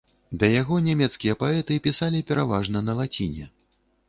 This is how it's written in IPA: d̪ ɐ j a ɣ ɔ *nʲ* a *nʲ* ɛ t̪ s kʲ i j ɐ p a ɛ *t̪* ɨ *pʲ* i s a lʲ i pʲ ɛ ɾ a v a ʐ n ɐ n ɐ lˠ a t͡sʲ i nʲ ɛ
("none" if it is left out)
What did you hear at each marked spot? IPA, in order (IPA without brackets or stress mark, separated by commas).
nʲ, mʲ, t̪, pʲ